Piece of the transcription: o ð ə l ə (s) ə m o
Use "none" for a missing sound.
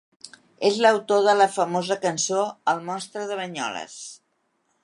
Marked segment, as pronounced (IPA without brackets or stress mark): f